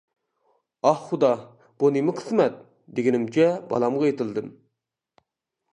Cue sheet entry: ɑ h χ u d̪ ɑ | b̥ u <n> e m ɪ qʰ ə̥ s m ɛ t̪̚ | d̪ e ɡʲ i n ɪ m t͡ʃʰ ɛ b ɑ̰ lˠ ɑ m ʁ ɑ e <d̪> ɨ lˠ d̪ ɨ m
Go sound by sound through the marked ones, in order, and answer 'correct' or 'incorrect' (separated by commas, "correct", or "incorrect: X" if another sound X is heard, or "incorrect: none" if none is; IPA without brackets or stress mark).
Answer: correct, incorrect: t̪